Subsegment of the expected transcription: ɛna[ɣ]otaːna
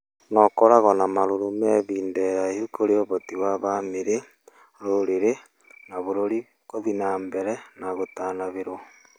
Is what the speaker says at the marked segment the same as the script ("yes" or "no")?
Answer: yes